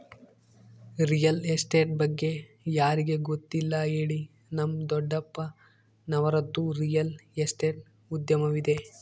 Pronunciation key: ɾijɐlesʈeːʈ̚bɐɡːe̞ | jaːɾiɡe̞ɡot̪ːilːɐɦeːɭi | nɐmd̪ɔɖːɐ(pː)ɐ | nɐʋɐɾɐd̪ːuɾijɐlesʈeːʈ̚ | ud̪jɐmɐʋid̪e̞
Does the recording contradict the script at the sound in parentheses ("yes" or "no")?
no